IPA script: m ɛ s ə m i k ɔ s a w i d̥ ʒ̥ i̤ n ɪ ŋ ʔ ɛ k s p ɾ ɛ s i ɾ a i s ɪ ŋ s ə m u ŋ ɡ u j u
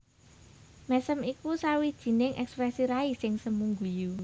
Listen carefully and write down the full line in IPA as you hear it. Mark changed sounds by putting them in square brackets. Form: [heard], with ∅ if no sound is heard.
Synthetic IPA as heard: m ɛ s ə m i k [u] s a w i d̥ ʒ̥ i̤ n ɪ ŋ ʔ ɛ k s p ɾ ɛ s i ɾ a i s ɪ ŋ s ə m u ŋ ɡ u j u